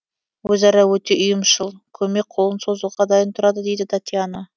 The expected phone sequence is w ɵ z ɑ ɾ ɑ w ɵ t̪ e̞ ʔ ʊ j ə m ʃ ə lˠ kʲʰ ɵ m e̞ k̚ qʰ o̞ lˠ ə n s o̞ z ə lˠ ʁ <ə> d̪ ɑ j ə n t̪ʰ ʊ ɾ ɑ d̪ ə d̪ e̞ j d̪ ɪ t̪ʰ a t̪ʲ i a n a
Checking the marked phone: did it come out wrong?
yes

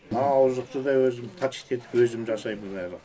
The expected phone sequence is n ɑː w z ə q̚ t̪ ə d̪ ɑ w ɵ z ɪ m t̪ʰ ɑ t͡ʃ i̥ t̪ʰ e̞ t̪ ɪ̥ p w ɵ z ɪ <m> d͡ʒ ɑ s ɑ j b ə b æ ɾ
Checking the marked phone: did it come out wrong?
no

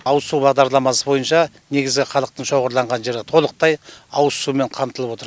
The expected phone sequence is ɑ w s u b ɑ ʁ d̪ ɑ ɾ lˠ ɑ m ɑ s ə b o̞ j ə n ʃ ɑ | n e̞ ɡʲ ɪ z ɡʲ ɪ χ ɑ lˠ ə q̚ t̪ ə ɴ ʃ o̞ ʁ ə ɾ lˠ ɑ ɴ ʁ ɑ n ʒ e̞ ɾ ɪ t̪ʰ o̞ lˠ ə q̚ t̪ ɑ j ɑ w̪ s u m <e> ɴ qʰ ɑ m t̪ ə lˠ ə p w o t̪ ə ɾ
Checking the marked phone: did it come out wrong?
no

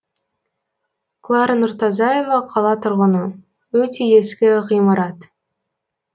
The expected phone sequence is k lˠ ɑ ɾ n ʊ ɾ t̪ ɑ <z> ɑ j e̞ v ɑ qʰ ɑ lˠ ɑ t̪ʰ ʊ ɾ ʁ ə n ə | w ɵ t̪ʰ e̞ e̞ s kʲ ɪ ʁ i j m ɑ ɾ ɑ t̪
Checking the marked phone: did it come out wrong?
no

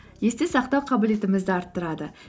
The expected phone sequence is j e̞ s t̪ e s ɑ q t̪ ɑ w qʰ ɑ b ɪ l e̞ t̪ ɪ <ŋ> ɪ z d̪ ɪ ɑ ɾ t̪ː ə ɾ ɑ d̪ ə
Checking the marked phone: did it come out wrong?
yes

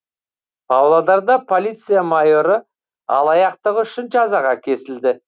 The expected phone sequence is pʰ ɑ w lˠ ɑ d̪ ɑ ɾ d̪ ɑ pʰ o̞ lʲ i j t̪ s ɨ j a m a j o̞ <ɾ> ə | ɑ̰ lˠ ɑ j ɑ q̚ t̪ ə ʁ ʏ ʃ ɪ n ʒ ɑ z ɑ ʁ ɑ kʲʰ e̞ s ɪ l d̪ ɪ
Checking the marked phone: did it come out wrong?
no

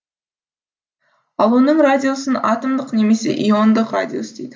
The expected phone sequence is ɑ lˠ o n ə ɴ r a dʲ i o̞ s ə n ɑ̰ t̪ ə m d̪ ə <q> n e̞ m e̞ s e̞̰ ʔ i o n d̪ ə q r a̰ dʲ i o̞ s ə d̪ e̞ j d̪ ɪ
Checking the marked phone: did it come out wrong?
no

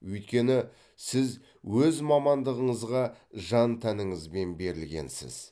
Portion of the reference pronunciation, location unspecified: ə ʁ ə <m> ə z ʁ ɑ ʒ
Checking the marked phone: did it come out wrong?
yes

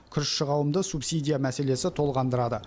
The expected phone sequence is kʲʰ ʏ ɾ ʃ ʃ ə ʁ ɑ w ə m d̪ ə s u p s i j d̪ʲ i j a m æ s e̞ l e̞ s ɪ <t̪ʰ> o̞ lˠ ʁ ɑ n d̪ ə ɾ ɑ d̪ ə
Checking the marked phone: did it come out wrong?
no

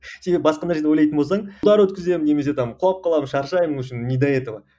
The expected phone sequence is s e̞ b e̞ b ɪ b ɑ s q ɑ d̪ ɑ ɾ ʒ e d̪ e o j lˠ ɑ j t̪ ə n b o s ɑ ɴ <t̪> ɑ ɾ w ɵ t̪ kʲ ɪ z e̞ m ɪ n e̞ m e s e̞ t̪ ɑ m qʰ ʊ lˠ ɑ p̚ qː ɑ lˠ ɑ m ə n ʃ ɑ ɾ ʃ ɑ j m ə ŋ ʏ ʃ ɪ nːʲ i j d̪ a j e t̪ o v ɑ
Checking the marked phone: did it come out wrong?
yes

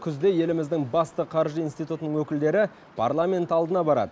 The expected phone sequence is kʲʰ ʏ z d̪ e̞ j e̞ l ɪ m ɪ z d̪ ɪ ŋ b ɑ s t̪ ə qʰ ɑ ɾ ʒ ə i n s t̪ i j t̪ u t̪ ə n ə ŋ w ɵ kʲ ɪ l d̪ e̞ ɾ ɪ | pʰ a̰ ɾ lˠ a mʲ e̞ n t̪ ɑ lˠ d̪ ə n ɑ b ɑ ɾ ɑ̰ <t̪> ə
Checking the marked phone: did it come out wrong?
yes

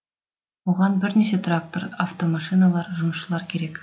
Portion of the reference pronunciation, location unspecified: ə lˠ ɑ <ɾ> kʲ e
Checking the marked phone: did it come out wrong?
no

